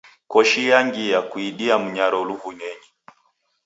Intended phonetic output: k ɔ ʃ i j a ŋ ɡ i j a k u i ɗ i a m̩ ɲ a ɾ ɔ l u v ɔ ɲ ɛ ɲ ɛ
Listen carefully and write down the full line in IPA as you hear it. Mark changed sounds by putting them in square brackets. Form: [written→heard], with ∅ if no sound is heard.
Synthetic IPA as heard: k ɔ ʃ i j a ŋ ɡ i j a k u i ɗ i a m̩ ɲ a ɾ ɔ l u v [ɔ→u] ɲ ɛ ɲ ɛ